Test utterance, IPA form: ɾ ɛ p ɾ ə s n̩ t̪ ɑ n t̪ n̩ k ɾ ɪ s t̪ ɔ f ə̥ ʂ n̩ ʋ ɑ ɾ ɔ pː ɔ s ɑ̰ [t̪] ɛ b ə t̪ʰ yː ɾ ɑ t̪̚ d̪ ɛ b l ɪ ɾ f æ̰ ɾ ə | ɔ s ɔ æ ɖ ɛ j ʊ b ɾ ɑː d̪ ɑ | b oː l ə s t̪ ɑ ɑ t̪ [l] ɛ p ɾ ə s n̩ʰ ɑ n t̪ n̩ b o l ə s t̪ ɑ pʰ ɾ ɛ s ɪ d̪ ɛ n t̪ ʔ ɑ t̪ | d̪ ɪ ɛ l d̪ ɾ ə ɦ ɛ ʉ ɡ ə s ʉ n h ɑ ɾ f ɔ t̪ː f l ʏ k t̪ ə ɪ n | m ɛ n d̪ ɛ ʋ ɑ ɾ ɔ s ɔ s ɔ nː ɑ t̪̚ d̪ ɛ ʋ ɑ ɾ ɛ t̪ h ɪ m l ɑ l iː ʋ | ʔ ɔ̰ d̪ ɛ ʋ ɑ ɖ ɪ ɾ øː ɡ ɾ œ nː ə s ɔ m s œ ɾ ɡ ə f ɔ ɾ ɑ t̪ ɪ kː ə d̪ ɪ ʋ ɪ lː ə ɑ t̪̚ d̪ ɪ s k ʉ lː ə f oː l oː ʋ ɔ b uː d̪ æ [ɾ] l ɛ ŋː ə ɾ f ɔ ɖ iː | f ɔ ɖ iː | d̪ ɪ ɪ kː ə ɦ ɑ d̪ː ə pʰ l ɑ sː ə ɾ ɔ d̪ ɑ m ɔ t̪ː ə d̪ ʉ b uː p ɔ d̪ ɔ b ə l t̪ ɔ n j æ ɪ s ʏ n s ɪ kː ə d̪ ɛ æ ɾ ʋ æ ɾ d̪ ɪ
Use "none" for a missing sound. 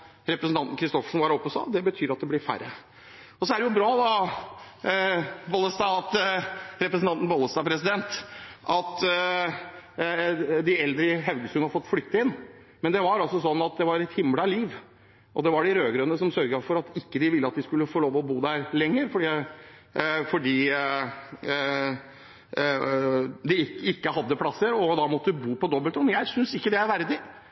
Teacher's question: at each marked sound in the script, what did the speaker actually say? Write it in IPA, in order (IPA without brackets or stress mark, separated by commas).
d̪, ɾ, ɾ